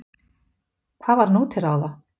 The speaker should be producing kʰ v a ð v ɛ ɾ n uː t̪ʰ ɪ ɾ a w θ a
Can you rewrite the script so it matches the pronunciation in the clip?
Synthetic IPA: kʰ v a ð v a ɾ n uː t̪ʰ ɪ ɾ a w ð a